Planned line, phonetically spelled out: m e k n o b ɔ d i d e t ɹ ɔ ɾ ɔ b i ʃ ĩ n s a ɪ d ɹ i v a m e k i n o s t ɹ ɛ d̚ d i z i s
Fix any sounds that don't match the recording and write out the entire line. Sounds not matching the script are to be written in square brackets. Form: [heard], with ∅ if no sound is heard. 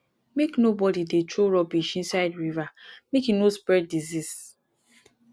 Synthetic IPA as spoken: m e k n o b ɔ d i d e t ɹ [o] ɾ ɔ b i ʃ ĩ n s a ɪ d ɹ i v a m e k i n o s [p] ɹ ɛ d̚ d i z i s

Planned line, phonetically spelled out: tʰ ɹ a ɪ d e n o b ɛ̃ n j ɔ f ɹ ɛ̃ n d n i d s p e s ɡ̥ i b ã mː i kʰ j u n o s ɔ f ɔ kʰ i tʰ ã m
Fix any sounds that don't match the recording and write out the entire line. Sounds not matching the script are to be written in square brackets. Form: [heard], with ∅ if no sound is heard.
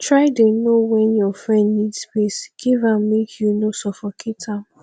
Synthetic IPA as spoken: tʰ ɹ a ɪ d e n o [w] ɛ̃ n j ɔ f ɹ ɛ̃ n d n i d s p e s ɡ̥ i [v] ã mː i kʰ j u n o s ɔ f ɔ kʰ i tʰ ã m

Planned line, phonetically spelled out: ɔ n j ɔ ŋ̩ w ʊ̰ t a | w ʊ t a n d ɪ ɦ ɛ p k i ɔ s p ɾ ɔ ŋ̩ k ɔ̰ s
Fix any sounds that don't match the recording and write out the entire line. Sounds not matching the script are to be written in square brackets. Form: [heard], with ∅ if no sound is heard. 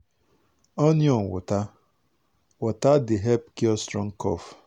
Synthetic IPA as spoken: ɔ n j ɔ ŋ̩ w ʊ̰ t a | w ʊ t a [∅] d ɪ ɦ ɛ p k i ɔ s [t] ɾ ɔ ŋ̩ k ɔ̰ [f]

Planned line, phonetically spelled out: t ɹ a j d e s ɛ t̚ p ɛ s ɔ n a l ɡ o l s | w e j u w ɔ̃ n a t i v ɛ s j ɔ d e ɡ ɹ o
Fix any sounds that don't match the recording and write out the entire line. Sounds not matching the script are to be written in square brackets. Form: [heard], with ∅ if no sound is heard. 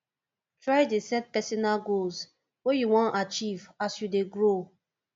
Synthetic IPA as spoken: t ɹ a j d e s ɛ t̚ p ɛ s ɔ n a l ɡ o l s | w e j u w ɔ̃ n a [t͡ʃ] i v [a] s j [u] d e ɡ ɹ o

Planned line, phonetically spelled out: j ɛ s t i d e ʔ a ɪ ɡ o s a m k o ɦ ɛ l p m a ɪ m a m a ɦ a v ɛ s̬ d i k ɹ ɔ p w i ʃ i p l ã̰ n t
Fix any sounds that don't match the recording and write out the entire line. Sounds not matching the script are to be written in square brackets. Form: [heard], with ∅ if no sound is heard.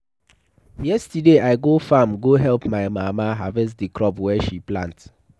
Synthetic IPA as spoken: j ɛ s t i d e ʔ a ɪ ɡ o [f] a m [ɡ] o ɦ ɛ l p m a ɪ m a m a ɦ a v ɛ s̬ d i k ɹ ɔ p w [ɛ] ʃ i p l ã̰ n t

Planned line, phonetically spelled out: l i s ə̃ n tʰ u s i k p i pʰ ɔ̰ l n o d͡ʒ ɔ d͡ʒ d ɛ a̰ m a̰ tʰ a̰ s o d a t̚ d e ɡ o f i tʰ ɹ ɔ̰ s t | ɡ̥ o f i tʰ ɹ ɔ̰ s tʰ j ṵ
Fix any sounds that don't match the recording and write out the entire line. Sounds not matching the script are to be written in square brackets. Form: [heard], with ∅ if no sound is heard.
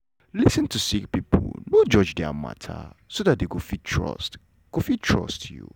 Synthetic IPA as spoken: l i s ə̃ n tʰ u s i k p i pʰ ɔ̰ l n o d͡ʒ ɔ d͡ʒ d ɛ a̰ m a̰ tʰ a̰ s o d a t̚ d e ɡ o f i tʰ ɹ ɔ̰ s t | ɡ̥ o f i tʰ ɹ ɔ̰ s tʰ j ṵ

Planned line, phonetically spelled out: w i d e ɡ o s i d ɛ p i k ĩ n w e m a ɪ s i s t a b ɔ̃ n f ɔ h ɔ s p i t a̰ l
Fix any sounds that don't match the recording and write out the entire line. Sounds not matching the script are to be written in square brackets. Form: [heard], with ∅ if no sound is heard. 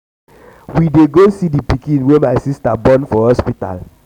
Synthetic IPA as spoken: w i d e ɡ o s i d [i] p i k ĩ n w e m a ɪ s i s t a b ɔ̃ n f ɔ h ɔ s p i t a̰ l

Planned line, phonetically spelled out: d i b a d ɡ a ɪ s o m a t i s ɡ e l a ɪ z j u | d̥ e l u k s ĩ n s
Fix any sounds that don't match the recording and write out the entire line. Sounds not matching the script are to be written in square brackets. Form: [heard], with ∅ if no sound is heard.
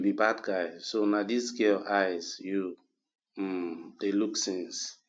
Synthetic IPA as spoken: [b] i b a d ɡ a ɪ s o [n] a [d] i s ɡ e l a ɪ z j u | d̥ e l u k s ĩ n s

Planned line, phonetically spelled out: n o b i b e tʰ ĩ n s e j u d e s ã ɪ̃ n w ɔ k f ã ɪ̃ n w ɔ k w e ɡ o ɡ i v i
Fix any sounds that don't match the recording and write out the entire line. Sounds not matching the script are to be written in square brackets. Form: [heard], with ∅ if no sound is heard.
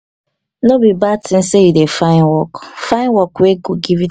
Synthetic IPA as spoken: n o b i b [a] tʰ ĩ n s e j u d e [f] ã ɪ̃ n w ɔ k f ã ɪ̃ n w ɔ k w e ɡ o ɡ i v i

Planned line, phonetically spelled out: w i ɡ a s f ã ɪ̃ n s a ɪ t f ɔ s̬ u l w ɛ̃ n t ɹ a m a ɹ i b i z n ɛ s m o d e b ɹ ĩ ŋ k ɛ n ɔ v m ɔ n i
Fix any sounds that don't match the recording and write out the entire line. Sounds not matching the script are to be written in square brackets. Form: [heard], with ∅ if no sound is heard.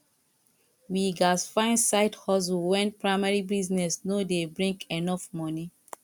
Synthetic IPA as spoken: w i ɡ a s f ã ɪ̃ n s a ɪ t [h] ɔ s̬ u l w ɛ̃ n [p] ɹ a m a ɹ i b i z n ɛ s [n] o d e b ɹ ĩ ŋ k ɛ n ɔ [f] m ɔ n i

